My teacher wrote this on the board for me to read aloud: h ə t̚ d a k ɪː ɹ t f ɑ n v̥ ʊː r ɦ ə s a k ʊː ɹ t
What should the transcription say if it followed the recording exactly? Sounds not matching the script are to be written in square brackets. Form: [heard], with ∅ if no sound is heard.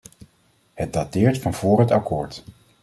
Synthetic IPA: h ə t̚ d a [t] ɪː ɹ t f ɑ n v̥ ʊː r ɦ ə [t] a k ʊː ɹ t